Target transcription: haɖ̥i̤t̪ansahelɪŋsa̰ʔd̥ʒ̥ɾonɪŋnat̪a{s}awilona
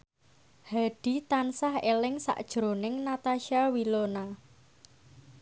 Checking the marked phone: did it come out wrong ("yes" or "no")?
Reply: yes